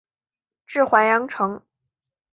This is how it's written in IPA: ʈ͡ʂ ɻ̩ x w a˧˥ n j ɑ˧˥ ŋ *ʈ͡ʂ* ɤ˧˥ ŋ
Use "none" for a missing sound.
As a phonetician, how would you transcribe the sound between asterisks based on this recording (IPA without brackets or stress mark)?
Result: ʈ͡ʂʰ